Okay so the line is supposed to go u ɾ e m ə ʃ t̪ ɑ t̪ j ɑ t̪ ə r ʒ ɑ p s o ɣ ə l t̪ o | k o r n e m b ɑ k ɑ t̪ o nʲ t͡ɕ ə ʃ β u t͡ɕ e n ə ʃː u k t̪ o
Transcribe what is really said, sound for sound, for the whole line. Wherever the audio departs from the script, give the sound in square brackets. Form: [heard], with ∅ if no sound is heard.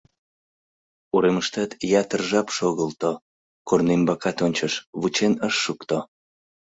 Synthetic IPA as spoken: u ɾ e m ə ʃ t̪ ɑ t̪ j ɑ t̪ ə r ʒ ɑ p [ʃ] o ɣ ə l t̪ o | k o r n e m b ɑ k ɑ t̪ o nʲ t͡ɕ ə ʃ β u t͡ɕ e n ə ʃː u k t̪ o